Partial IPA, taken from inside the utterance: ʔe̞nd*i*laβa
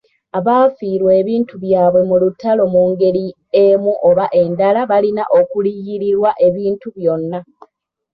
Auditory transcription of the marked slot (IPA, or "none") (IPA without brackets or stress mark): a